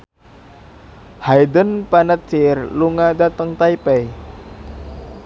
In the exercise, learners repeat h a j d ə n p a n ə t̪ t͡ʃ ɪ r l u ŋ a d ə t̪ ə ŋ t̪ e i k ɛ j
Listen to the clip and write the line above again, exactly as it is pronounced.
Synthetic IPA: h a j d ə n p a n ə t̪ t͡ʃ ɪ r l u ŋ a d a t̪ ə ŋ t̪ a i p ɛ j